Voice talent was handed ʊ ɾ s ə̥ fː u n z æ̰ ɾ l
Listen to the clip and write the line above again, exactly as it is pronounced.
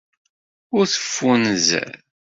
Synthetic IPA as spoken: ʊ ɾ θ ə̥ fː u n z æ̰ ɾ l